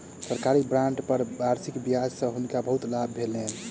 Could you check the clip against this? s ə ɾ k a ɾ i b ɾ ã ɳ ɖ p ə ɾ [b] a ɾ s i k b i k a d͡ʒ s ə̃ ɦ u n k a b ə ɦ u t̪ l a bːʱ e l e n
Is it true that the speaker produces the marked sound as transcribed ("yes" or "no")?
yes